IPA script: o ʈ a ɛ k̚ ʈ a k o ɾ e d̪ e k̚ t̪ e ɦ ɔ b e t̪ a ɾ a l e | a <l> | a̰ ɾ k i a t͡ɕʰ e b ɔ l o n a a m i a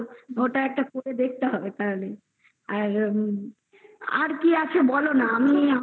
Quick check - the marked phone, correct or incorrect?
incorrect